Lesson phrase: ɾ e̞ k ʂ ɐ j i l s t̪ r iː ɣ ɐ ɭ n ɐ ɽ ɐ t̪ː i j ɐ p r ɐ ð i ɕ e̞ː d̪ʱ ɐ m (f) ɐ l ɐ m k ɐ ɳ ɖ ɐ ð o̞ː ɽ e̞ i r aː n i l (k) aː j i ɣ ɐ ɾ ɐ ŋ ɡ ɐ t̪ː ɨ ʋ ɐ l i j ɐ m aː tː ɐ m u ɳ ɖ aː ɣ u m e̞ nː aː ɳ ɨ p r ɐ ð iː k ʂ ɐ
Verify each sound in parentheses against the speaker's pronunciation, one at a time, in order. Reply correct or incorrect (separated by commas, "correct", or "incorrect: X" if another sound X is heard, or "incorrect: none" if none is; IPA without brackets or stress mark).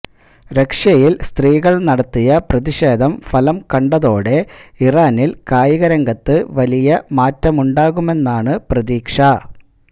correct, correct